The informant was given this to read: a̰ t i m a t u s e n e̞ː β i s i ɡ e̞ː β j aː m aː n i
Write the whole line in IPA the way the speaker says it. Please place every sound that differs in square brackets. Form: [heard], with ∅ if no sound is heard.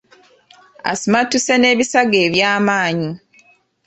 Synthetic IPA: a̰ [s] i m a t u s e n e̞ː β i s [a] ɡ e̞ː β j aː m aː [ɲ] i